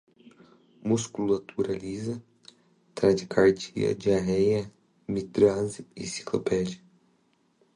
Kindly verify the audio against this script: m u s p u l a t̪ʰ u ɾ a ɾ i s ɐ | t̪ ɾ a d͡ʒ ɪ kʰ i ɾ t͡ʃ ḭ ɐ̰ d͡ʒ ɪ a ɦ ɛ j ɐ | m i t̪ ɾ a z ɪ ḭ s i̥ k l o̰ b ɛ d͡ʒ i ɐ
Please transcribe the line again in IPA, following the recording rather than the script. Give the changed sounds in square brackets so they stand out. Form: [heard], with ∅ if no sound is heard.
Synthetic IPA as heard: m u s [k] u l a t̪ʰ u ɾ a [l] i [z] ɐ | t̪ ɾ a d͡ʒ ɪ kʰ [a] ɾ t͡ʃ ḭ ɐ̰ d͡ʒ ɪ a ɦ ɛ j ɐ | m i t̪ ɾ a z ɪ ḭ s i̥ k l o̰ [p] ɛ d͡ʒ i ɐ